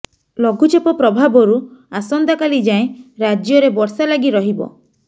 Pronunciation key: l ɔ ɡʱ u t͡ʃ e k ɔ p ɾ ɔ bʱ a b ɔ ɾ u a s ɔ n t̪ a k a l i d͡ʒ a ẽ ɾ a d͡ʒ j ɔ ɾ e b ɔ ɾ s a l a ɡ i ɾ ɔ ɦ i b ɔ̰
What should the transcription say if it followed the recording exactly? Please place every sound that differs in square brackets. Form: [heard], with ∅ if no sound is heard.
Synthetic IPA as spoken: l ɔ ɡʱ u t͡ʃ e [p] ɔ p ɾ ɔ bʱ a b ɔ ɾ u a s ɔ n [d̪] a k a l i d͡ʒ a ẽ ɾ a d͡ʒ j ɔ ɾ e b ɔ ɾ s a l a ɡ i ɾ ɔ ɦ i b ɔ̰